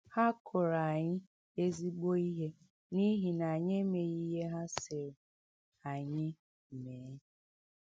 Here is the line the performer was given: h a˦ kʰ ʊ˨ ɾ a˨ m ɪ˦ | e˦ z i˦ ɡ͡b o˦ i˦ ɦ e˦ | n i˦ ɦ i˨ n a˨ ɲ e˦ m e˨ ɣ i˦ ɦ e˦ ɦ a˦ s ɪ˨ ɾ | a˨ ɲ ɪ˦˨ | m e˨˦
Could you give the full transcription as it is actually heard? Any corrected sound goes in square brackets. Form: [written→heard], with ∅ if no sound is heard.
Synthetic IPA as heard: h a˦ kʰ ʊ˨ ɾ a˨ [m→ɲ] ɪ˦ | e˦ z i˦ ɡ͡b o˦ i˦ ɦ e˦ | n i˦ ɦ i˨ n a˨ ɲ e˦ m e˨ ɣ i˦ ɦ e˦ ɦ a˦ s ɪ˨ ɾ | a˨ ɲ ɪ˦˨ | m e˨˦